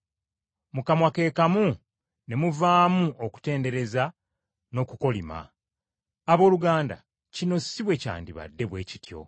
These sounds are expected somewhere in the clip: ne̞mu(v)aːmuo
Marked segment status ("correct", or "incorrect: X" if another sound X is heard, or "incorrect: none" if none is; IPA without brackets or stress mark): correct